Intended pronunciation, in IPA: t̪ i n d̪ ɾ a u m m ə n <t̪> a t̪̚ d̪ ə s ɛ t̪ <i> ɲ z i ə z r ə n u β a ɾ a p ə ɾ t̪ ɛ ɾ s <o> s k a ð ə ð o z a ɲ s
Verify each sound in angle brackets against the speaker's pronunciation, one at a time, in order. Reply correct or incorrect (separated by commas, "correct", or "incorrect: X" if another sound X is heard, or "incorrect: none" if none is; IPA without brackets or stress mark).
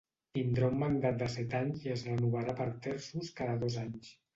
incorrect: d̪, incorrect: a, incorrect: u